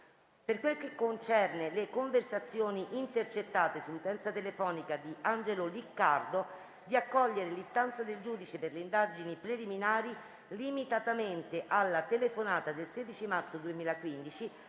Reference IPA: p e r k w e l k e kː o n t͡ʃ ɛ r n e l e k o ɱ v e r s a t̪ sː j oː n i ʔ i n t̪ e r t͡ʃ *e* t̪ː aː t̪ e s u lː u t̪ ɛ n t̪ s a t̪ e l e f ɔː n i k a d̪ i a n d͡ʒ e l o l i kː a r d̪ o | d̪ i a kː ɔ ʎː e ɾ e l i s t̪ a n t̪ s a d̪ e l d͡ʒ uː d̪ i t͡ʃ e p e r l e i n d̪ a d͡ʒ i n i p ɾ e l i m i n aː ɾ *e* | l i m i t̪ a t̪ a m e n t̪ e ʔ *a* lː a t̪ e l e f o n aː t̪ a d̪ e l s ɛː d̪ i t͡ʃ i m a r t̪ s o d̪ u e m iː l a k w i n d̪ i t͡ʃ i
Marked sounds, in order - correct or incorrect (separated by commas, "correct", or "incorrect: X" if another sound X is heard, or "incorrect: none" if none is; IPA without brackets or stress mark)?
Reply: correct, incorrect: i, correct